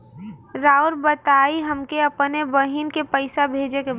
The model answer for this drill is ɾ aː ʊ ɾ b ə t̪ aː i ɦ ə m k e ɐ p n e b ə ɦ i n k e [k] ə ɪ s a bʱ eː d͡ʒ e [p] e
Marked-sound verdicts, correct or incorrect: incorrect: p, incorrect: k

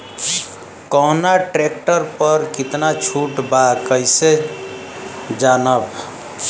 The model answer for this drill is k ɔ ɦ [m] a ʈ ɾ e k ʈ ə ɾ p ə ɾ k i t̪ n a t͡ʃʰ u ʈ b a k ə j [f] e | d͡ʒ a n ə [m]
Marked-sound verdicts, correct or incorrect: incorrect: n, incorrect: s, incorrect: b

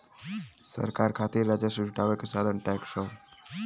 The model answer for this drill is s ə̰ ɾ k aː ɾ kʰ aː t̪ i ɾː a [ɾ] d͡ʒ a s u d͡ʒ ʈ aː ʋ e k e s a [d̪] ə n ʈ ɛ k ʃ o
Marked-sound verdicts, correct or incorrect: incorrect: none, correct

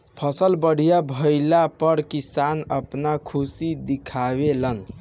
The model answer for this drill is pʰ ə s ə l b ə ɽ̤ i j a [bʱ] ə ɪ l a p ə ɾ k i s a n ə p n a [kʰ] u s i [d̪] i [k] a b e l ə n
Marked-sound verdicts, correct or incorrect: correct, correct, correct, incorrect: kʰ

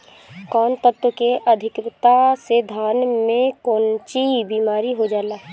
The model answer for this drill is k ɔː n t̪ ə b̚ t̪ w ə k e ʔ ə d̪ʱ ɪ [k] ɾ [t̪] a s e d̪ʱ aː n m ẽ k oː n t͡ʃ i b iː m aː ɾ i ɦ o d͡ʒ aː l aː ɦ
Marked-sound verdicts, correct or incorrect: correct, correct

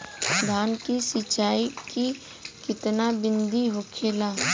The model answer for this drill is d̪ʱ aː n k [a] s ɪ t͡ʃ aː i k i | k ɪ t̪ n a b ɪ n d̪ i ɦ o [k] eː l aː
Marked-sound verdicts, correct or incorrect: incorrect: i, incorrect: kʰ

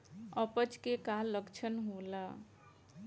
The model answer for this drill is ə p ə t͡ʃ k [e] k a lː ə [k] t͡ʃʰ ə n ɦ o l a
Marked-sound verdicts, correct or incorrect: correct, correct

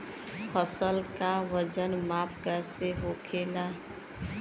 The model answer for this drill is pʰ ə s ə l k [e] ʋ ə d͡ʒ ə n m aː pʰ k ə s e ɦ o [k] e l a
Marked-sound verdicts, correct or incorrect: incorrect: a, incorrect: kʰ

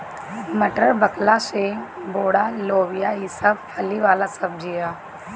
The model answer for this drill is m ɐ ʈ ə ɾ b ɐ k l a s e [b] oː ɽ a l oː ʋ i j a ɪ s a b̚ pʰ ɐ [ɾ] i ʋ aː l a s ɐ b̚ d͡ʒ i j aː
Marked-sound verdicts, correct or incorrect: correct, incorrect: l

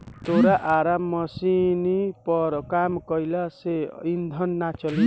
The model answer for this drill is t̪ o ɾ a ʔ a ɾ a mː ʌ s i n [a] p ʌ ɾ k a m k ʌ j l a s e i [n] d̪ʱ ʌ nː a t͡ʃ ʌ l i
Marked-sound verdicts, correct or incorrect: incorrect: i, correct

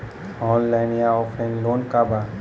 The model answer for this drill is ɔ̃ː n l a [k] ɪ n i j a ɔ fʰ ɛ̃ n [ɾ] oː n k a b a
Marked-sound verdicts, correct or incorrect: incorrect: none, incorrect: l

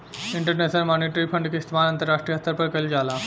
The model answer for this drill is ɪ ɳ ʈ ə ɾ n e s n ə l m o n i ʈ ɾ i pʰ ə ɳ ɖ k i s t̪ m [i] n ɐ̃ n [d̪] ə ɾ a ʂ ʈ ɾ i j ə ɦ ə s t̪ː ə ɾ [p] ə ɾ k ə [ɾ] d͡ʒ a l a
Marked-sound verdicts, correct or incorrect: incorrect: a, incorrect: t̪, correct, incorrect: l

